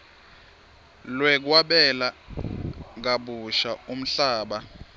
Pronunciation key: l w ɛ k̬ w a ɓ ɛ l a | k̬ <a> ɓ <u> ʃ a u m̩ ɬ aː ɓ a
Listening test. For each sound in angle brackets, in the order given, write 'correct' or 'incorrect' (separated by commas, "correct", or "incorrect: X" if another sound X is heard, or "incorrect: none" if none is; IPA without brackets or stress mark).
correct, correct